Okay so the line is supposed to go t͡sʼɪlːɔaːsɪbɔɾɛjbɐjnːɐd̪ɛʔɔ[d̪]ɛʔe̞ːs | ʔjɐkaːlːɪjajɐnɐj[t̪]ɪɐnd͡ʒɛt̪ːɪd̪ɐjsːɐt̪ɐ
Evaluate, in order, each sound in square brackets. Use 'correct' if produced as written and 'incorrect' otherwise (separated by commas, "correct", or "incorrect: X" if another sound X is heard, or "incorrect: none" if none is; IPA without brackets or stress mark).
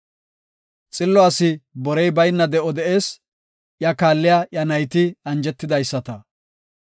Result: correct, correct